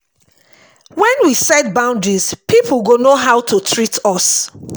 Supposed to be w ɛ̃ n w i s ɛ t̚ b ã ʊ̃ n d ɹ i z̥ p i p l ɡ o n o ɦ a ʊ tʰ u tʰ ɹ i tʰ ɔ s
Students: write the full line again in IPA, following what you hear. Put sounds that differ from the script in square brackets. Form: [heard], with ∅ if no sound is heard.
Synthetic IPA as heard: w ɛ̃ n w i s ɛ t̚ b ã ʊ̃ n d ɹ i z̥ p i p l ɡ o n o ɦ a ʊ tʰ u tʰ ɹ i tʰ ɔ s